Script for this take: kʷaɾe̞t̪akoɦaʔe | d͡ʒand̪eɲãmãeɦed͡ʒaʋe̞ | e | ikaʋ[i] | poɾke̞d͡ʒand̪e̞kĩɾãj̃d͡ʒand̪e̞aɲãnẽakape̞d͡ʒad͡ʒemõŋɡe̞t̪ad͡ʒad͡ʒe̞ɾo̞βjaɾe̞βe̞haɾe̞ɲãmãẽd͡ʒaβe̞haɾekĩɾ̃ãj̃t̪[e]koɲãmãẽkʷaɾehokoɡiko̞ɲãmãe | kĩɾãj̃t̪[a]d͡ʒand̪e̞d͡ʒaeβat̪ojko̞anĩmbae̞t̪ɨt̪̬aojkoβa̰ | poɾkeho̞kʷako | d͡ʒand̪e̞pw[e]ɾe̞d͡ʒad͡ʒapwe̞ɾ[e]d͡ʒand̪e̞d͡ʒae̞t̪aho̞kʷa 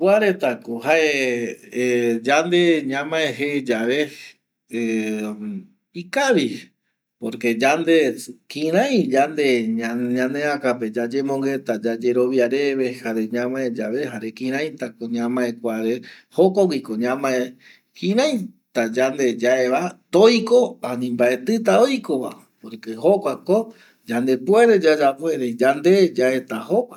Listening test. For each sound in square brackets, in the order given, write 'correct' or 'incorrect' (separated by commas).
correct, incorrect, correct, correct, correct